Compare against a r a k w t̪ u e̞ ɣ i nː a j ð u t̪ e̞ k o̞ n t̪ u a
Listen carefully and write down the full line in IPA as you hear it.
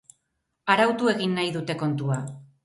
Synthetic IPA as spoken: a ɾ a w t̪ u e̞ ɣ i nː a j ð u t̪ e̞ k o̞ n t̪ u a